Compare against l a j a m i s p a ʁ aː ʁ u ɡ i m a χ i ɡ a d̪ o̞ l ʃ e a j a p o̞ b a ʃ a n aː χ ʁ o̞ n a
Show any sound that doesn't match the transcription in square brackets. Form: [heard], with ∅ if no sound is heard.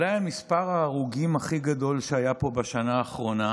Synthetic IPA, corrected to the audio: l a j a m i s p a ʁ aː ʁ u ɡ i m a χ i ɡ a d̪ o̞ l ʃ e a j a p o̞ b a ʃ a n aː χ ʁ o̞ n a